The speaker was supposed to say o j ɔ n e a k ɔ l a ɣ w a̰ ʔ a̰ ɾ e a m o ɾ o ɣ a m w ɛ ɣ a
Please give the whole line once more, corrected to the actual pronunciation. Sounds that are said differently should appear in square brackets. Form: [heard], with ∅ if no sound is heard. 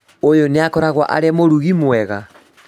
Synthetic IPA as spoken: o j [o] n e a k ɔ [ɾ] a ɣ w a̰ ʔ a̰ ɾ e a m o ɾ [u] ɣ [i] m w ɛ ɣ a